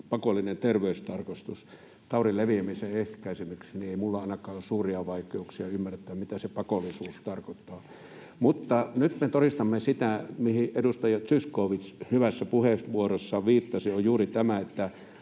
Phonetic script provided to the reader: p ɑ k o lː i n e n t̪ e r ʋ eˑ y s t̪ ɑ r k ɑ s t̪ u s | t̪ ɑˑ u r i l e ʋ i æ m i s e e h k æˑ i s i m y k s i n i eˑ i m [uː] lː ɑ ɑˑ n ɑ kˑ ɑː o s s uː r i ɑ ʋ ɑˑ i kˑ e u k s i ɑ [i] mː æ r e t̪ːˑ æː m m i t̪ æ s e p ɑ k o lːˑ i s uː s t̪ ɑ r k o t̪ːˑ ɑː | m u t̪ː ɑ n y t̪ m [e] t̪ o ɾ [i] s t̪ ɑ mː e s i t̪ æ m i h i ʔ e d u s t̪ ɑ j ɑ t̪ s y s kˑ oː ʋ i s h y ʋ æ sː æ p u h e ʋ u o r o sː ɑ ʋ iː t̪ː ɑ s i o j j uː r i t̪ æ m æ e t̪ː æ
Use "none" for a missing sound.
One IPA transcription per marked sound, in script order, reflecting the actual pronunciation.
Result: u, y, e, i

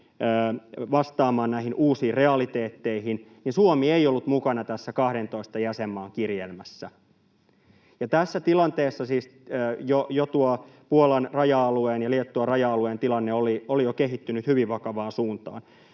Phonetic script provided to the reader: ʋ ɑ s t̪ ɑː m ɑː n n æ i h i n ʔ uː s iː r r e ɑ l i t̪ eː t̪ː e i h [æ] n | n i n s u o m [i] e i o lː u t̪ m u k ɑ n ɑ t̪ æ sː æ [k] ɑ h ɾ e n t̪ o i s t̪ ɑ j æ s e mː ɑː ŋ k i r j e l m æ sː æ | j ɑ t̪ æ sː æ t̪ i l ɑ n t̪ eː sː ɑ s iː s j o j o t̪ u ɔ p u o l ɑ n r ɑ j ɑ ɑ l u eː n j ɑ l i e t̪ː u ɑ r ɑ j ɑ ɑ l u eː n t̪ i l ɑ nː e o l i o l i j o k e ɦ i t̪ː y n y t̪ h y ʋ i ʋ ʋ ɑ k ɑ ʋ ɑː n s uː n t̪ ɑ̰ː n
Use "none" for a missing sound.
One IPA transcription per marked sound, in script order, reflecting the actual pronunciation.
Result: i, i, k

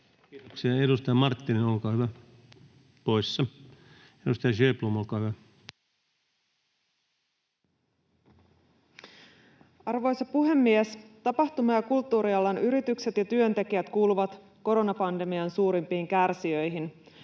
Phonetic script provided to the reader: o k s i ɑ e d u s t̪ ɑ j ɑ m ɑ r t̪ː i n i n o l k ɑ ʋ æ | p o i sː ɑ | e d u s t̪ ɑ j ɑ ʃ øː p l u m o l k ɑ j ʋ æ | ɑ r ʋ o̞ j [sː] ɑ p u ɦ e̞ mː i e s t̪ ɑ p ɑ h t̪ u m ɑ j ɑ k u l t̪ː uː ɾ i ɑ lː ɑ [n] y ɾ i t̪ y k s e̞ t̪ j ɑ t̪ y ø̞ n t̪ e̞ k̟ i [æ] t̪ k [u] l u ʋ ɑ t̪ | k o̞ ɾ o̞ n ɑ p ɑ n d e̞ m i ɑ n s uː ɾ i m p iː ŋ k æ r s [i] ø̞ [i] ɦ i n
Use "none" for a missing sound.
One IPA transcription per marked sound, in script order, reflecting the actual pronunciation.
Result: s, n, æ, uː, i, j

